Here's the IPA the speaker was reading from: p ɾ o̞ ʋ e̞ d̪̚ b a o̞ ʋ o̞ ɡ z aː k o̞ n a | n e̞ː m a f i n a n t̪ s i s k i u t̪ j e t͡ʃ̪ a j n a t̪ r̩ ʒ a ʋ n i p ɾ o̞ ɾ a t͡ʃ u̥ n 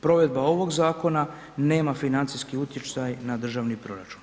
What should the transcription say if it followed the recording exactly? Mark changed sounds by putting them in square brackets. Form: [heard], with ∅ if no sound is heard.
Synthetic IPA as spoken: p ɾ o̞ ʋ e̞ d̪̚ b a o̞ ʋ o̞ ɡ z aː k o̞ n a | n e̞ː m a f i n a n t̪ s i s k i u t̪ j e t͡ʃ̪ a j n a [d̪] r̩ ʒ a ʋ n i p ɾ o̞ ɾ a t͡ʃ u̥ n